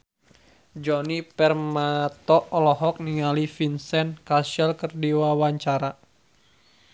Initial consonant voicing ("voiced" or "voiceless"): voiced